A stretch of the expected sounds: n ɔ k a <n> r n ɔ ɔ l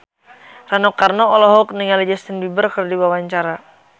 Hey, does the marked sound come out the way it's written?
no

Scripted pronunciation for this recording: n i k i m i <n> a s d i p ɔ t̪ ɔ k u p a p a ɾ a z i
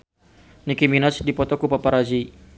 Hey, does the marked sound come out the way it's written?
yes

